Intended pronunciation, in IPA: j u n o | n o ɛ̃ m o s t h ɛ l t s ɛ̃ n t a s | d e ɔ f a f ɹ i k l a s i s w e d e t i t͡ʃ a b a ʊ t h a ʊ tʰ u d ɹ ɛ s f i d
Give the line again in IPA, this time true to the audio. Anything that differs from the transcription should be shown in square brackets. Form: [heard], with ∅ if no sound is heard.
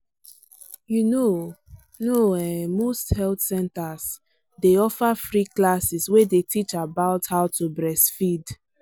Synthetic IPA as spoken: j u n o | n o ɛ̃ m o s t h ɛ l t s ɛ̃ n t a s | d e ɔ f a f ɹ i k l a s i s w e d e t i t͡ʃ a b a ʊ t h a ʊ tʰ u [b] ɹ ɛ s f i d